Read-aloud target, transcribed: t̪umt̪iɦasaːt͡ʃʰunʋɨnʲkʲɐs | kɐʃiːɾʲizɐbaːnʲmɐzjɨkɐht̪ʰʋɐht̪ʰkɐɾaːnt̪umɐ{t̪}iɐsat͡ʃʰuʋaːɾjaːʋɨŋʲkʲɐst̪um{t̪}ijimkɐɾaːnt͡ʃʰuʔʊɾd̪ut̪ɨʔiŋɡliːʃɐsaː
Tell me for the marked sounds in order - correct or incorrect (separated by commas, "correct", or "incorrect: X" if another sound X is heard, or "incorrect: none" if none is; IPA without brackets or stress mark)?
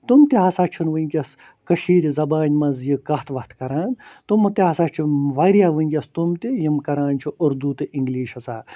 correct, correct